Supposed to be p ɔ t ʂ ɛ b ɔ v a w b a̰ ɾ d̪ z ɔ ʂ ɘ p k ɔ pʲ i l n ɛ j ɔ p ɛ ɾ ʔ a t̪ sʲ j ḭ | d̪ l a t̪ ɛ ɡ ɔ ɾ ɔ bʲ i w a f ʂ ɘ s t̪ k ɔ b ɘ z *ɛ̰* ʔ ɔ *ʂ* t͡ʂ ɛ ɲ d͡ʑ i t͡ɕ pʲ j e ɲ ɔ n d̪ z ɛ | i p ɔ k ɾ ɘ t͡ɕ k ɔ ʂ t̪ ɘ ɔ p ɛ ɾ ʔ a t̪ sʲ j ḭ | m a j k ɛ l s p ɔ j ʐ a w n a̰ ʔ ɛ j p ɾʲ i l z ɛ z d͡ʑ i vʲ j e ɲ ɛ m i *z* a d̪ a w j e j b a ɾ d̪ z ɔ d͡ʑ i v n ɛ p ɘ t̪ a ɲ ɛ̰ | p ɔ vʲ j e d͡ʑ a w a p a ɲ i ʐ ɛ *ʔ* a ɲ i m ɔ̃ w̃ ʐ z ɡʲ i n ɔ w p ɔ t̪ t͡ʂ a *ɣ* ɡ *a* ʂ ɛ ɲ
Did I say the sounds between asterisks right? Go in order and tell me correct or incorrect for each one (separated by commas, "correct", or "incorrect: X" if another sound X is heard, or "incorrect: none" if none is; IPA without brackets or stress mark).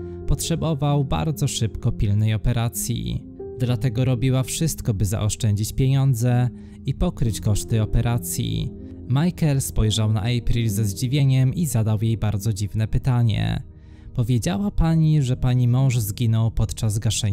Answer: incorrect: a̰, correct, correct, incorrect: p, incorrect: z, correct